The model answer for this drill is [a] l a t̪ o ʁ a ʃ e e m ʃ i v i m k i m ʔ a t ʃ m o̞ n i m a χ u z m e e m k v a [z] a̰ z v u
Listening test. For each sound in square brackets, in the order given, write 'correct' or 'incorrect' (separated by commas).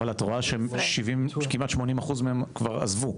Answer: correct, incorrect